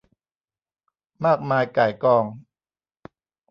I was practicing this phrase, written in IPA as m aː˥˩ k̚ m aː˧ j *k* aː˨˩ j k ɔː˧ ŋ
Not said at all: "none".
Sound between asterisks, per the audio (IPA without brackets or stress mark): k